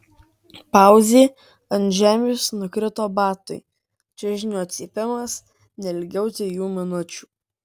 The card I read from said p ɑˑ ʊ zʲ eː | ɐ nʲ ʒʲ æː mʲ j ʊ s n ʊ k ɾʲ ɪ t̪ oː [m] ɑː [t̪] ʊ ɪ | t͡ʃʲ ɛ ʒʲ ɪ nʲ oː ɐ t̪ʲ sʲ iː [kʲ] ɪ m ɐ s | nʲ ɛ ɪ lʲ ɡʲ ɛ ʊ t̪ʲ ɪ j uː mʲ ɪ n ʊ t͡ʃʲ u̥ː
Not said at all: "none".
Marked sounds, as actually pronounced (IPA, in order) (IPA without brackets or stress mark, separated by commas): b, t̪, pʲ